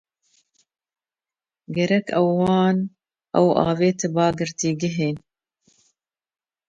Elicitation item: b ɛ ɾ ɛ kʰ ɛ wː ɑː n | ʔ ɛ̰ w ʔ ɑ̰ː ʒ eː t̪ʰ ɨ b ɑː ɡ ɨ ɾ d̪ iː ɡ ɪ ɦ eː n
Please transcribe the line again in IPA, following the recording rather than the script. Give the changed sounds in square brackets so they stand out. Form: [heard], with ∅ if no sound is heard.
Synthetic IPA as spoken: [ɡ] ɛ ɾ ɛ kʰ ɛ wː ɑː n | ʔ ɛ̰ w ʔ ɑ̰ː [v] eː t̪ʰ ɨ b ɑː ɡ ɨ ɾ [t̪] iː ɡ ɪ ɦ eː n